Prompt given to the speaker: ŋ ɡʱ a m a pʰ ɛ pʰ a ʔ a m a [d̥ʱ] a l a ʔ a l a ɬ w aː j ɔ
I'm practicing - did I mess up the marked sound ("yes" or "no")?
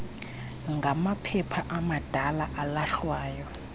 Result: no